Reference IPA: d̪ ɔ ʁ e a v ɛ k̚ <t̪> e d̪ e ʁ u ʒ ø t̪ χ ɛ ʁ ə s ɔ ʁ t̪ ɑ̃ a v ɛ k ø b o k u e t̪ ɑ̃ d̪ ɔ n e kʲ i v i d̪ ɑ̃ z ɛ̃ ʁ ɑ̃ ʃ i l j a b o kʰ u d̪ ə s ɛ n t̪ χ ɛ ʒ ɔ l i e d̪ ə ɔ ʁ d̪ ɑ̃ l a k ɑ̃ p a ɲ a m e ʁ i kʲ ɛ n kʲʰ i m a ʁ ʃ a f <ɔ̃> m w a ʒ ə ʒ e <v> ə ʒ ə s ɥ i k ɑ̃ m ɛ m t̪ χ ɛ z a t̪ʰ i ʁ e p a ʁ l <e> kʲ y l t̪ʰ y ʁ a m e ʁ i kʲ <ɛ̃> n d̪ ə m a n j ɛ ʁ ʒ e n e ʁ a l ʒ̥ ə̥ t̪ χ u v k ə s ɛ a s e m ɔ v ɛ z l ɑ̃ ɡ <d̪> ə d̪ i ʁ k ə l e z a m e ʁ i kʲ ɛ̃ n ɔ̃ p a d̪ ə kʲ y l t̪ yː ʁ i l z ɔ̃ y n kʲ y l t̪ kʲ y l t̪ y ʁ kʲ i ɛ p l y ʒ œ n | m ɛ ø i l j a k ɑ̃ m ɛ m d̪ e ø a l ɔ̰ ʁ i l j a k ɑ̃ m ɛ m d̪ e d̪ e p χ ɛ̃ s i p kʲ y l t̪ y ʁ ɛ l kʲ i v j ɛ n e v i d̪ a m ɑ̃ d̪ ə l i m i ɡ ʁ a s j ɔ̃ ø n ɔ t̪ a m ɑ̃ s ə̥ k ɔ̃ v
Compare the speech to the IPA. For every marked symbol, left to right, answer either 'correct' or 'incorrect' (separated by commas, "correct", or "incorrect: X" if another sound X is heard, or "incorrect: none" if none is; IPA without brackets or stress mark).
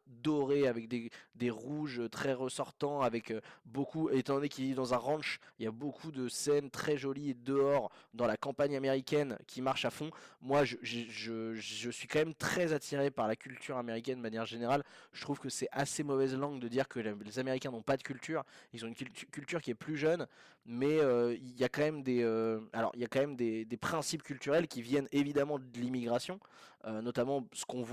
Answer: incorrect: d̪, correct, incorrect: ʒ, incorrect: a, incorrect: ɛ, correct